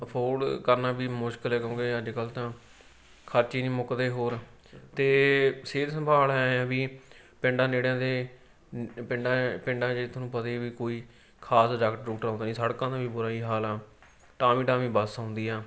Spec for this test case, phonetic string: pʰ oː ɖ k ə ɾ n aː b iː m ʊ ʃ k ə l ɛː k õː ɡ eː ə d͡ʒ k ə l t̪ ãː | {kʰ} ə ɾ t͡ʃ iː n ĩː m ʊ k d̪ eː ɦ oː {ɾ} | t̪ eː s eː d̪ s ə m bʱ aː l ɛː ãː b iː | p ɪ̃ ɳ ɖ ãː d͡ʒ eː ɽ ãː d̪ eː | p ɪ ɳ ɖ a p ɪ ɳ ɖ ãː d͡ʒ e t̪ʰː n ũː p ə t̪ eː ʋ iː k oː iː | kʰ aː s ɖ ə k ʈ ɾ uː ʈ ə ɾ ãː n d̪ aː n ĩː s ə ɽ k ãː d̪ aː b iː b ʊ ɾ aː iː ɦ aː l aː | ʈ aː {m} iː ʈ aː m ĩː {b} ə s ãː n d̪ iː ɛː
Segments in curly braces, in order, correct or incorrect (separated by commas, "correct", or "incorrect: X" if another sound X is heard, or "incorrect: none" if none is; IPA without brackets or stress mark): correct, correct, correct, correct